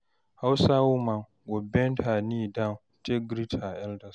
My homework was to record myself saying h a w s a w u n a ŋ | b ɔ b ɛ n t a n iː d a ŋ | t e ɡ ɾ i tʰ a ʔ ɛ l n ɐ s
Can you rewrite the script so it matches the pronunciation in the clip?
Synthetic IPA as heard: h a w s a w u m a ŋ | ɡ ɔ b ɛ n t a n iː d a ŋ | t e ɡ ɾ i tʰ a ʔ ɛ l d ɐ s